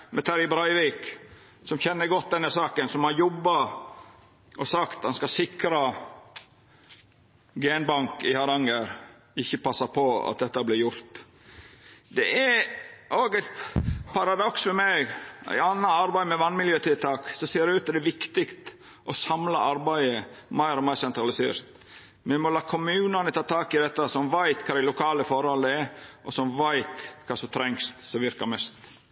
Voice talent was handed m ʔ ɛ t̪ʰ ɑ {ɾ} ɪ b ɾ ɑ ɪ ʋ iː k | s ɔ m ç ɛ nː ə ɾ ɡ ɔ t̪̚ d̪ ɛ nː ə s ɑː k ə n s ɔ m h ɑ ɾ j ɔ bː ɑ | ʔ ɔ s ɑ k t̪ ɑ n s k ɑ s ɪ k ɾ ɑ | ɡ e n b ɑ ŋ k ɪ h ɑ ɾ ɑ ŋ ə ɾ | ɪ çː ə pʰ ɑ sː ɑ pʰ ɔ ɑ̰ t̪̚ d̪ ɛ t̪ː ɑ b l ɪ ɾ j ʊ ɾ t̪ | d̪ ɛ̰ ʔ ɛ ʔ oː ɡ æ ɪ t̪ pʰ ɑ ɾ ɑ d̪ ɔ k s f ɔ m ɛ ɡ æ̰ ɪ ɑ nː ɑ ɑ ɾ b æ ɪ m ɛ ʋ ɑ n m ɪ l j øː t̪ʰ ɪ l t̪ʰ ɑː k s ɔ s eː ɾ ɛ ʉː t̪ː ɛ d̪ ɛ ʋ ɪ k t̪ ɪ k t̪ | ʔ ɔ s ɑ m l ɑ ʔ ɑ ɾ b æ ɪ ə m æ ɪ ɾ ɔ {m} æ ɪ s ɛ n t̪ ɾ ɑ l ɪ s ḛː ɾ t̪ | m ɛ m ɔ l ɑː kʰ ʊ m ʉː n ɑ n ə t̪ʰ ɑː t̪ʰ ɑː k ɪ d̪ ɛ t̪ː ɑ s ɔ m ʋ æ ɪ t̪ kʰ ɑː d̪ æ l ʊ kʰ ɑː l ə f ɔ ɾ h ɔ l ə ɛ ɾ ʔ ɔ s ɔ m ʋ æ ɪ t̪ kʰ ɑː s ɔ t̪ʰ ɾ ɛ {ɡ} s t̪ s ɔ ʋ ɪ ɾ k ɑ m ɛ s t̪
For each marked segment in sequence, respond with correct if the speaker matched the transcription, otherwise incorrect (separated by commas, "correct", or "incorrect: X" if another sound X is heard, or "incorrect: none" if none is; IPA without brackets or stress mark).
correct, correct, incorrect: ŋ